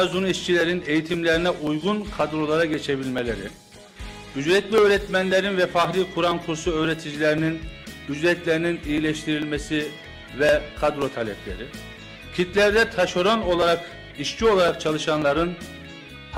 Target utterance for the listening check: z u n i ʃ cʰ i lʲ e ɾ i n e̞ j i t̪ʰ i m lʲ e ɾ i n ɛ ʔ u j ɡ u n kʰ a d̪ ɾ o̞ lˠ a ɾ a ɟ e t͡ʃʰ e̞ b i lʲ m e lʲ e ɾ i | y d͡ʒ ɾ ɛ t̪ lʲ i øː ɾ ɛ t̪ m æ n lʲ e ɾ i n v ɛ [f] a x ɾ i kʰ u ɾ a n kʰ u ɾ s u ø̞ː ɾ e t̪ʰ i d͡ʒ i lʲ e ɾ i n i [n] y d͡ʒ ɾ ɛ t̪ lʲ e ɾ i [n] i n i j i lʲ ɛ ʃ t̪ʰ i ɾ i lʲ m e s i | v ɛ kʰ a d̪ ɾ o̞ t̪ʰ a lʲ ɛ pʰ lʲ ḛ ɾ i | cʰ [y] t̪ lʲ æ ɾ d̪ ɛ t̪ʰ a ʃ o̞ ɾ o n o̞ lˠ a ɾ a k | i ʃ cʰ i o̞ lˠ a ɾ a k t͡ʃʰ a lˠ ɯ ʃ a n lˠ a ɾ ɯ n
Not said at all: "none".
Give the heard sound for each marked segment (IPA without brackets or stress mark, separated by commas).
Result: f, n, n, i